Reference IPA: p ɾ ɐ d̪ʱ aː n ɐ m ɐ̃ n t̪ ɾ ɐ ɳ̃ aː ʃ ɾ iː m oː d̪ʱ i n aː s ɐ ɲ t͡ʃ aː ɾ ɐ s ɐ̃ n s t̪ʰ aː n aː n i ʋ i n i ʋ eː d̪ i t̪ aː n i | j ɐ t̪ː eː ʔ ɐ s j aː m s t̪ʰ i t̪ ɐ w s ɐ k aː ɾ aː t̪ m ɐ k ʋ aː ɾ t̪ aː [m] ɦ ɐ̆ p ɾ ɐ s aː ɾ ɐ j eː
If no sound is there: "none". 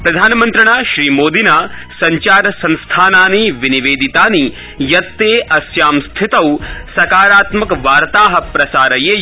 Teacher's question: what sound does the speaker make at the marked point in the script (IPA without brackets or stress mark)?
none